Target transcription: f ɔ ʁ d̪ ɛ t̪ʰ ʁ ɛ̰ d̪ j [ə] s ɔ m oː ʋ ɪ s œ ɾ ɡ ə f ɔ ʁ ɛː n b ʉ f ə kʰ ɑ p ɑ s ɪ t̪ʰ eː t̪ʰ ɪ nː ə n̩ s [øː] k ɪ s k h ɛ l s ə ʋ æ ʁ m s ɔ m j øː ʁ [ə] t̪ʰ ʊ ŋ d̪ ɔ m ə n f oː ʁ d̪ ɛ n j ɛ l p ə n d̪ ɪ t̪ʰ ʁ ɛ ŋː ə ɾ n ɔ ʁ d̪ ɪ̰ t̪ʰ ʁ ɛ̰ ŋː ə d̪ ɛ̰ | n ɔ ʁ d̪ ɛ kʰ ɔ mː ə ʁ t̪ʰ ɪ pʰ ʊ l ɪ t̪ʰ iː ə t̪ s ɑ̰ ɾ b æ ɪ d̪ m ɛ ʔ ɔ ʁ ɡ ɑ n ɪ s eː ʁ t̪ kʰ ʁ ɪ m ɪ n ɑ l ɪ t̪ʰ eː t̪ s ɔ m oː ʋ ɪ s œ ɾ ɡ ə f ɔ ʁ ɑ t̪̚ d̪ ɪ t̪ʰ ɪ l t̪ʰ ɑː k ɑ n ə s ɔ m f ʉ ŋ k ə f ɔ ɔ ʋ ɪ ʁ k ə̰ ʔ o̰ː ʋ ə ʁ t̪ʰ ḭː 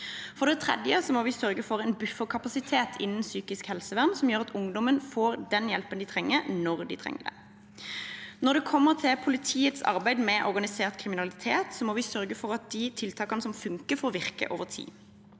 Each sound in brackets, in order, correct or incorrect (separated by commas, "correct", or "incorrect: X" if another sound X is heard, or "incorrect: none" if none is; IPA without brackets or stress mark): correct, incorrect: yː, incorrect: ɑ